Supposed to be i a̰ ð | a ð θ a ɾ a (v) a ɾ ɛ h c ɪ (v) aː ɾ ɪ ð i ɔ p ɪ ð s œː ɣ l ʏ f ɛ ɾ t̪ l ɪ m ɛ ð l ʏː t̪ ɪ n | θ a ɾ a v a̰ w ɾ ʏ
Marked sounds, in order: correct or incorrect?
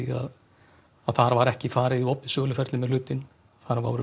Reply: correct, incorrect: f

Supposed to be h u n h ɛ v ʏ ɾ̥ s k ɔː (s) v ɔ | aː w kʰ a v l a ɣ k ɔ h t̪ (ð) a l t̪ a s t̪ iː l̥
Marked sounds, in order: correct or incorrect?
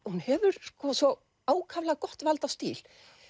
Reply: correct, incorrect: v

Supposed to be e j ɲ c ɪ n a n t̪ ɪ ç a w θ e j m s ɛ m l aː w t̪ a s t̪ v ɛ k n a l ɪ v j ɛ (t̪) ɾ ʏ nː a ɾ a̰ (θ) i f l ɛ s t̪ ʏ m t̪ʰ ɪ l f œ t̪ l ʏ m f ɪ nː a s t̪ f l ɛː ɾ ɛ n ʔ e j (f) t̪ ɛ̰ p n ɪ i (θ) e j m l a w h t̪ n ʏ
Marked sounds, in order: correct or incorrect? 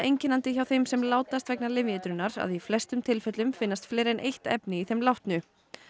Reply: correct, incorrect: ð, incorrect: h, correct

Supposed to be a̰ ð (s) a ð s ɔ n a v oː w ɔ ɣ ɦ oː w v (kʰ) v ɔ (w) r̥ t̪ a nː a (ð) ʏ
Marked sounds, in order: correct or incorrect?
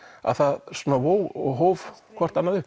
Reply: incorrect: θ, correct, incorrect: none, correct

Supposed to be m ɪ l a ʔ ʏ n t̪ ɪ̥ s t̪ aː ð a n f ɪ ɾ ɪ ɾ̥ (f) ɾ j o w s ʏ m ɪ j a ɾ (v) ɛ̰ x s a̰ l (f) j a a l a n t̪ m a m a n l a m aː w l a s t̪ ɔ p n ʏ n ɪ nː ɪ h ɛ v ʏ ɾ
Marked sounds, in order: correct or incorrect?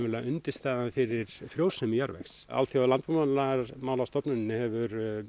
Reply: correct, correct, incorrect: θ

